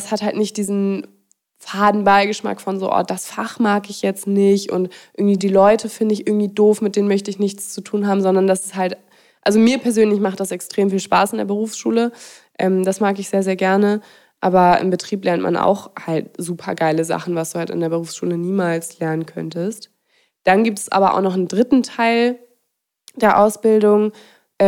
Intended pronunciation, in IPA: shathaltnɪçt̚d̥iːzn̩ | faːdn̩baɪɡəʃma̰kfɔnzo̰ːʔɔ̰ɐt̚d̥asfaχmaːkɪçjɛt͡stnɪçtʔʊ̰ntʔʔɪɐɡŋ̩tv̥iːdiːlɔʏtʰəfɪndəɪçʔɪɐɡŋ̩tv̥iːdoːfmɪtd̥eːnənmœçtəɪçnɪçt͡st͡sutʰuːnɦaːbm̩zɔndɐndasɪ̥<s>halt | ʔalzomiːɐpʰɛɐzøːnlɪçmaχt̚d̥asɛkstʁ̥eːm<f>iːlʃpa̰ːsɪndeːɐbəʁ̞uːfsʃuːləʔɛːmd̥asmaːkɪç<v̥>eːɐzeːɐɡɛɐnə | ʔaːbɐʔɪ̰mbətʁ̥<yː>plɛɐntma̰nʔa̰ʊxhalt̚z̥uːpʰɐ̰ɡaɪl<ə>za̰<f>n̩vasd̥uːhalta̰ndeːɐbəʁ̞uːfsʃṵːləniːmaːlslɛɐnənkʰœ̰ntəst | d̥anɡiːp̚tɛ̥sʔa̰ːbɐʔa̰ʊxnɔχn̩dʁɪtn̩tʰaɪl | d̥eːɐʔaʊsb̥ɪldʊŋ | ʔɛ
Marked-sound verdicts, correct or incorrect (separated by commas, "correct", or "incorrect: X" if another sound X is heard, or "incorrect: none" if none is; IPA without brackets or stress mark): correct, correct, incorrect: z̥, incorrect: iː, correct, incorrect: χ